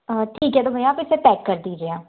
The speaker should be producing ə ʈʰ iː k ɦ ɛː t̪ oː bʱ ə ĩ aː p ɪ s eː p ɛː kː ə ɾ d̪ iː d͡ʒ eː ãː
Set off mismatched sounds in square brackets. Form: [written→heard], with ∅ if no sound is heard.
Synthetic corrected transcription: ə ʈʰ iː k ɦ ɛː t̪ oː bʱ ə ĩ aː p ɪ s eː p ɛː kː ə ɾ d̪ iː d͡ʒ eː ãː